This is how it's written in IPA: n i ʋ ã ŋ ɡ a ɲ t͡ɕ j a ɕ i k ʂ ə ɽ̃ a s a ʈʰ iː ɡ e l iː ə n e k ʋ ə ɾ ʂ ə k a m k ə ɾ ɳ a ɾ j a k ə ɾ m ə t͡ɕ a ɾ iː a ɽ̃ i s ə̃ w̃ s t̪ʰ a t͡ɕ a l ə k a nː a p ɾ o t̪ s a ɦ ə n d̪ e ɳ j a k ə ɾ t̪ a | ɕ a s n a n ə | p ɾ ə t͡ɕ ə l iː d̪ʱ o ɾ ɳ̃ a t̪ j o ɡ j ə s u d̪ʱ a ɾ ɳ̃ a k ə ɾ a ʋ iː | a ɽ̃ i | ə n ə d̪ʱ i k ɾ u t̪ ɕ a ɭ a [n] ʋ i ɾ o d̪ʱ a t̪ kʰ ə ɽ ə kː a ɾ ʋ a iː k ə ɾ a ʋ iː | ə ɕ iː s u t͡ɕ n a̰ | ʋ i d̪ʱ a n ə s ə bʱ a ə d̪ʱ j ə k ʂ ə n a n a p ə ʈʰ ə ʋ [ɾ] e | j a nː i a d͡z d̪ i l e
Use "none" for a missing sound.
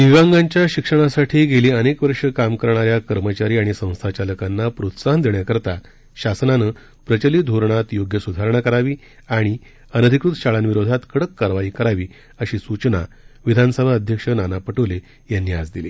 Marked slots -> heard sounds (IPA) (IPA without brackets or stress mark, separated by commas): n, l